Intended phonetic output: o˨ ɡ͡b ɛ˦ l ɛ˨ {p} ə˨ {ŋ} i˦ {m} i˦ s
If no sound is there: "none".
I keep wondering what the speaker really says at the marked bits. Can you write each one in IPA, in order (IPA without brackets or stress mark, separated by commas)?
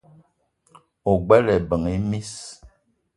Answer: b, ŋ, m